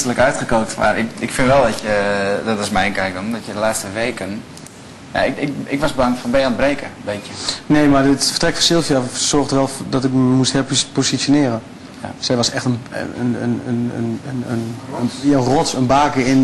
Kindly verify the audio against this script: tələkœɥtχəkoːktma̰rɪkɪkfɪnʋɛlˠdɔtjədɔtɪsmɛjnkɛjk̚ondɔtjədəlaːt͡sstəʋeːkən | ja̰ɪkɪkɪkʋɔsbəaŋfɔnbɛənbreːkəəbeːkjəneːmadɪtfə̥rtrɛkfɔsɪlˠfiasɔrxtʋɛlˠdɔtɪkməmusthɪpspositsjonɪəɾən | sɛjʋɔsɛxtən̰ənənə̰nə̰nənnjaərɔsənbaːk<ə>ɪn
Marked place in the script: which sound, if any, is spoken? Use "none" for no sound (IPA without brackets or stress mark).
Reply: ə